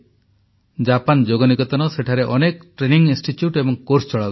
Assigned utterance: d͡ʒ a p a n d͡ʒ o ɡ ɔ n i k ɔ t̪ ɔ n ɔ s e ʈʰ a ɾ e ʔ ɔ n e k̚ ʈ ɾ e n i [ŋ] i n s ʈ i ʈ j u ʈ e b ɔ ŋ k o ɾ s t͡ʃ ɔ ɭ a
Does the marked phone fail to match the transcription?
no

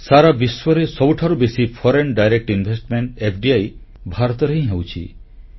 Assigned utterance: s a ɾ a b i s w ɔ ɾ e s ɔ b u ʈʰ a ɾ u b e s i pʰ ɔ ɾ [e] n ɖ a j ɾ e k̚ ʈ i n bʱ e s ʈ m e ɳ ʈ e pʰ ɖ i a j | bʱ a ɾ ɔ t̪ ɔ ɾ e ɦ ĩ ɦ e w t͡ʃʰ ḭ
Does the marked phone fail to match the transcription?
no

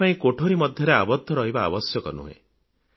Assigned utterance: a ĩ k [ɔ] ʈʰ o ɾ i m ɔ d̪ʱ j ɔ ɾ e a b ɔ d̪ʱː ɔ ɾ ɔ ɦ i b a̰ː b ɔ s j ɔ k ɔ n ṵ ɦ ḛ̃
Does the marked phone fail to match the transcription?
yes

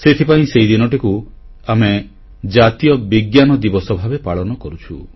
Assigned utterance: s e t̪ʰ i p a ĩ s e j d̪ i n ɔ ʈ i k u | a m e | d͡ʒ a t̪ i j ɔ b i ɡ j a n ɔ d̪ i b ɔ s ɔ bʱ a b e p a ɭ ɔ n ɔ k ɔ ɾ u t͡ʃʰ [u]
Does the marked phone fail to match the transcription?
no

